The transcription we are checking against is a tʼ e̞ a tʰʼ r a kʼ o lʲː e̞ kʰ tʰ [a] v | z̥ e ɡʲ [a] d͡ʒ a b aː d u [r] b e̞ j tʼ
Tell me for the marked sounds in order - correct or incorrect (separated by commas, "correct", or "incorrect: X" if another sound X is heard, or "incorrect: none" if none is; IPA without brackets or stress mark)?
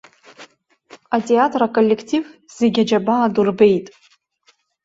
incorrect: i, correct, correct